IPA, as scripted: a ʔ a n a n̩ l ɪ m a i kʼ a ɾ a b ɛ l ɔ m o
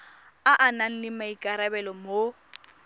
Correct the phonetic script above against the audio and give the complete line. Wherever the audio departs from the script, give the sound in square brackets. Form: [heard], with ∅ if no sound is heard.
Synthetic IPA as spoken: a ʔ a n a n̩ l ɪ m a i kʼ a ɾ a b ɛ l ɔ m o